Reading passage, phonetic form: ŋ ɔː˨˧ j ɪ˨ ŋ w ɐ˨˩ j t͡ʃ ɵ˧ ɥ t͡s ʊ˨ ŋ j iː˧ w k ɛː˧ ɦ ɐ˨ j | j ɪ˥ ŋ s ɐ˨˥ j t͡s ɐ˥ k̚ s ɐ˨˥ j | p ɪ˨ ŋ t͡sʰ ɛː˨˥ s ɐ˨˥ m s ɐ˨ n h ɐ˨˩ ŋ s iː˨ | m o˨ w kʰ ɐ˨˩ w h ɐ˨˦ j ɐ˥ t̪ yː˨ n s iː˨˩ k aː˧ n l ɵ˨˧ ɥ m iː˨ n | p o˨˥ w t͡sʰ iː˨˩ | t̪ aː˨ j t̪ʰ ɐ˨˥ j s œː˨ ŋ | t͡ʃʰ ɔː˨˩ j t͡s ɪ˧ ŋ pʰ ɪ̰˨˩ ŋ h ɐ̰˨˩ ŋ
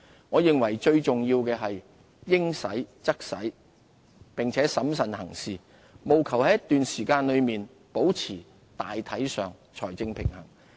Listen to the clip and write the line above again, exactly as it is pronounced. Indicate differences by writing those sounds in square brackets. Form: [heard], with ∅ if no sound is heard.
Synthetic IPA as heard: ŋ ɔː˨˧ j ɪ˨ ŋ w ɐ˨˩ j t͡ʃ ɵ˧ ɥ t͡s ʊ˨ ŋ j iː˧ w k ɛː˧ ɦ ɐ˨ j | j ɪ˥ ŋ s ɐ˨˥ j t͡s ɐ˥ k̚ s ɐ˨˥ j | p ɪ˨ ŋ t͡sʰ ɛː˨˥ s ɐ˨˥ m s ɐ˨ n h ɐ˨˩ ŋ s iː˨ | m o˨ w kʰ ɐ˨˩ w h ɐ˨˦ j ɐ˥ t̪ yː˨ n s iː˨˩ k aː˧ n l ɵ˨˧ ɥ m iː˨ n | p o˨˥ w t͡sʰ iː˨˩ | t̪ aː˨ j t̪ʰ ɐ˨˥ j s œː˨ ŋ | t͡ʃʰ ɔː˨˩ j t͡s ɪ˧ ŋ pʰ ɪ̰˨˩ ŋ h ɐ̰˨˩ ŋ

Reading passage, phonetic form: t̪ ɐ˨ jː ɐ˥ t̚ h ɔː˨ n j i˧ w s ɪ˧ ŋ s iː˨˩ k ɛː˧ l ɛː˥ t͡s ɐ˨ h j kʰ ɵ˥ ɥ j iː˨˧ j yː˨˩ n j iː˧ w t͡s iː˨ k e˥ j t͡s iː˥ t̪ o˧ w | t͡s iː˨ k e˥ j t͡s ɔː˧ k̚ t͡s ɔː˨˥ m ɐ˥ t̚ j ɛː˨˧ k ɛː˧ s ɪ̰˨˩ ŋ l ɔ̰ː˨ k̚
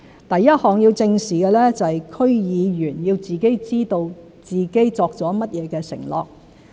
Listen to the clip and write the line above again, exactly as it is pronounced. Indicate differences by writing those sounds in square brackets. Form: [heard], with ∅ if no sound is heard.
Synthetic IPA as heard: t̪ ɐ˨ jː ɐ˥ t̚ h ɔː˨ [ŋ] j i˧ w [t͡s] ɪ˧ ŋ s iː˨˩ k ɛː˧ l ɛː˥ t͡s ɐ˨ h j kʰ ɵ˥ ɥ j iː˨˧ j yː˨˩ n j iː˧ w t͡s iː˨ k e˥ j t͡s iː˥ t̪ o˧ w | t͡s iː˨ k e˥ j t͡s ɔː˧ k̚ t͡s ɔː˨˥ m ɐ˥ t̚ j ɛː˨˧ k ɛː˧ s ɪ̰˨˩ ŋ l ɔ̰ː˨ k̚

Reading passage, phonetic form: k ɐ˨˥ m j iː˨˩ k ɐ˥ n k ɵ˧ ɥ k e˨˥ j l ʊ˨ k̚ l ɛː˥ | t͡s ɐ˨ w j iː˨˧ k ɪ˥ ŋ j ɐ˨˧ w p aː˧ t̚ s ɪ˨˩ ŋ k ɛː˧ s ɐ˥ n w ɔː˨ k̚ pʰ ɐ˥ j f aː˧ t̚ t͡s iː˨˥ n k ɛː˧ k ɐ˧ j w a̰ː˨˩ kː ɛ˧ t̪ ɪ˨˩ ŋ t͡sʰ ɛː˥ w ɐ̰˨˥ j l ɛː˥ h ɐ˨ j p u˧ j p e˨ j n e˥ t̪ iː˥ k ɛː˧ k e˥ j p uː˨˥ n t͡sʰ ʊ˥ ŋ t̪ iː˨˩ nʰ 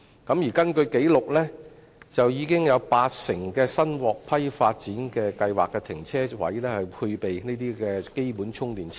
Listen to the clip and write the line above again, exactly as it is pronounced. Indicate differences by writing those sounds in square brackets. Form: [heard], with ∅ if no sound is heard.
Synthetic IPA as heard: k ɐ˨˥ m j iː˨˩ k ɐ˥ n k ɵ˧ ɥ k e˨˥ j l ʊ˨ k̚ l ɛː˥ | t͡s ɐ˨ w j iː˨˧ k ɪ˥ ŋ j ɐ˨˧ w p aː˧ t̚ s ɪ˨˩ ŋ k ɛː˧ s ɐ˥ n w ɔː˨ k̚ pʰ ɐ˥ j f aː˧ t̚ t͡s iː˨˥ n k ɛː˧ k ɐ˧ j w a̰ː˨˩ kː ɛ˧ [t̪ʰ] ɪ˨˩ ŋ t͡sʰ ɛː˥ w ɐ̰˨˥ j l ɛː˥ h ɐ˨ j [pʰ] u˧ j p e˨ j n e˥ t̪ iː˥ k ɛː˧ k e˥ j p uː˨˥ n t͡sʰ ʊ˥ ŋ t̪ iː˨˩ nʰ

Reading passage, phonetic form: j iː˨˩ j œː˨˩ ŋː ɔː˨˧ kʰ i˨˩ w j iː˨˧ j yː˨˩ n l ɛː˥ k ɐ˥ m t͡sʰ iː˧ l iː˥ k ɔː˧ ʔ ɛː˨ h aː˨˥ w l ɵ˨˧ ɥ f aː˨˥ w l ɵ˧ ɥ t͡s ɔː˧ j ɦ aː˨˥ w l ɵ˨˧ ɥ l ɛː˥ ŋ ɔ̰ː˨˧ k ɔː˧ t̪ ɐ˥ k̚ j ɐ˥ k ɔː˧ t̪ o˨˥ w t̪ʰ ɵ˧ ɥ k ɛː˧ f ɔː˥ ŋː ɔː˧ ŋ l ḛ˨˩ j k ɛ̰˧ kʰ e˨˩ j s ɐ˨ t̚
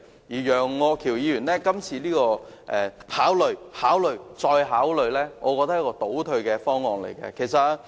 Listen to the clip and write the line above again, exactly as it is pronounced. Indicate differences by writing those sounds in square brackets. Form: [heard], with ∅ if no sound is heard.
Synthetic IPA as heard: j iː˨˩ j œː˨˩ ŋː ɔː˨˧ kʰ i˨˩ w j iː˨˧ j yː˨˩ n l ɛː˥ k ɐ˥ m t͡sʰ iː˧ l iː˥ k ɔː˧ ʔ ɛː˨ h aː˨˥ w l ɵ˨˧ ɥ [h] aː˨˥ w l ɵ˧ ɥ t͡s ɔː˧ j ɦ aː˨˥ w l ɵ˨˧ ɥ l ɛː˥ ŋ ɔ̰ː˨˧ k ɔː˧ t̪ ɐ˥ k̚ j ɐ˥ k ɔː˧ t̪ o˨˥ w t̪ʰ ɵ˧ ɥ k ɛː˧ f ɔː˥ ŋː ɔː˧ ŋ l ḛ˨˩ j k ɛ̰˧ kʰ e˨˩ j s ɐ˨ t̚

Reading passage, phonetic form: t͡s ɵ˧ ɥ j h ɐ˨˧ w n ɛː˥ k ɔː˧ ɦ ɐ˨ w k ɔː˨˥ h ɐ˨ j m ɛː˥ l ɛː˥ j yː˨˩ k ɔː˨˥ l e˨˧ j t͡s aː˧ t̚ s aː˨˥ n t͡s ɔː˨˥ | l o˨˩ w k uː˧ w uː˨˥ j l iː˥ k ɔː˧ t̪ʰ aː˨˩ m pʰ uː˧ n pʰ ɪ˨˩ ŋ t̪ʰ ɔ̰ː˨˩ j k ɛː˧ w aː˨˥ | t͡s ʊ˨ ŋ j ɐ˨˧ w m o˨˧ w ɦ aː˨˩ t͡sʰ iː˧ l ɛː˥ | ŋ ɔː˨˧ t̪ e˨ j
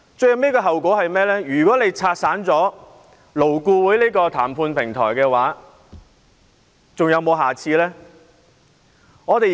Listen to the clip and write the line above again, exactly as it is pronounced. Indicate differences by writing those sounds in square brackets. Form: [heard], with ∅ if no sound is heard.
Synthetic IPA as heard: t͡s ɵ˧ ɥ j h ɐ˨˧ w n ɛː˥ k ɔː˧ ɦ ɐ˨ w k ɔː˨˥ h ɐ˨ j m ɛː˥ l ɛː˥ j yː˨˩ k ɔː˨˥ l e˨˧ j [t͡sʰ] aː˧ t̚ s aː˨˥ n t͡s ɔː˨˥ | l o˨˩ w k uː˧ w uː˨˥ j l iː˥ k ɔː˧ t̪ʰ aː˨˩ m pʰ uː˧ n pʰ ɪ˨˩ ŋ t̪ʰ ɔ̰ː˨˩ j k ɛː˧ w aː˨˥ | t͡s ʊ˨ ŋ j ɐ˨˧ w m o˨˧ w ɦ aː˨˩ t͡sʰ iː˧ l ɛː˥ | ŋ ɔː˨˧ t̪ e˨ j

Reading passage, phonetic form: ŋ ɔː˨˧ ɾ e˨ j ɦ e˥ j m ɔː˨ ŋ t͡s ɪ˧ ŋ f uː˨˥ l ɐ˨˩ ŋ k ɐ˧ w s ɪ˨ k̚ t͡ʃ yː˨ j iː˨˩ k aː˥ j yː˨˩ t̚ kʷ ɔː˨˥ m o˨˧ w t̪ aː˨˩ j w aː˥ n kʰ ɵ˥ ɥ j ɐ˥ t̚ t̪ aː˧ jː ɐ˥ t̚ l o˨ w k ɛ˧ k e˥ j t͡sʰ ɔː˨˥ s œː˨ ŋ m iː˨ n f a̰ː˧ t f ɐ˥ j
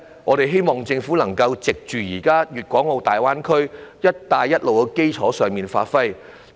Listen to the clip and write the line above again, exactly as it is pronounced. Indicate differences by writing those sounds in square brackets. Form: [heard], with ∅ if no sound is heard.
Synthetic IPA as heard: ŋ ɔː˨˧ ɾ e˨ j ɦ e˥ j m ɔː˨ ŋ t͡s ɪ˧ ŋ f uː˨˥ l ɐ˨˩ ŋ k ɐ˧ w [t͡s] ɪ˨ k̚ t͡ʃ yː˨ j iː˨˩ k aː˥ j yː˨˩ t̚ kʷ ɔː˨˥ [ŋ] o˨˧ w t̪ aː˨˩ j w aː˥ n kʰ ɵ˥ ɥ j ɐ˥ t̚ t̪ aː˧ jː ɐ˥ t̚ l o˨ w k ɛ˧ k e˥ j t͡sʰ ɔː˨˥ s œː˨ ŋ m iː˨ n f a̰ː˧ t f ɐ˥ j

